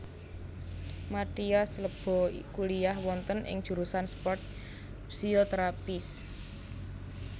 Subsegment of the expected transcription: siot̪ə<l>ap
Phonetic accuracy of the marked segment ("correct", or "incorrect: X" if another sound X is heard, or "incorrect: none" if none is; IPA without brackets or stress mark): incorrect: ɾ